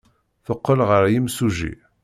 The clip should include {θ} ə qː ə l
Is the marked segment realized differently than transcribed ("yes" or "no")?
no